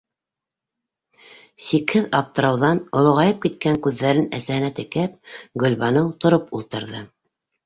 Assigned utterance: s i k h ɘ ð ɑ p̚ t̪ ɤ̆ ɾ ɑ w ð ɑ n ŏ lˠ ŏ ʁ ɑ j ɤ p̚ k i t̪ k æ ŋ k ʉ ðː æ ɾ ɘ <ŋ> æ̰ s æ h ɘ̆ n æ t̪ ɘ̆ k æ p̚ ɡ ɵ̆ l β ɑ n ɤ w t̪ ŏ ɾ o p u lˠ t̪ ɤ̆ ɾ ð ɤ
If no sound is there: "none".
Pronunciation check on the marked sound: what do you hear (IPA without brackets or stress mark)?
n